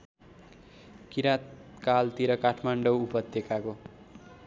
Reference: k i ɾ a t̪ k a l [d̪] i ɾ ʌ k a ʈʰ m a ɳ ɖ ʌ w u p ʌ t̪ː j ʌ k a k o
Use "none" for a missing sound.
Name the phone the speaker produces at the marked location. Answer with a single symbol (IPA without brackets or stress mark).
t̪